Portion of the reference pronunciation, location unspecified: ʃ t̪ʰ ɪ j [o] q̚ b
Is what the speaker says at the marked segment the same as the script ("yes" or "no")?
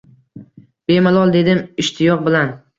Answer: no